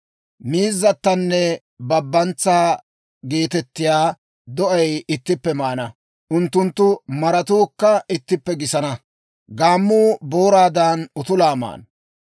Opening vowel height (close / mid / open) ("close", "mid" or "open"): close